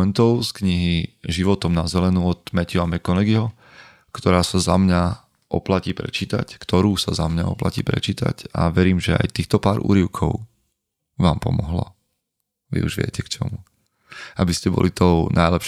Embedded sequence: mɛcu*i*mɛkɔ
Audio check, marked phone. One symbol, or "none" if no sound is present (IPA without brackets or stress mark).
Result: a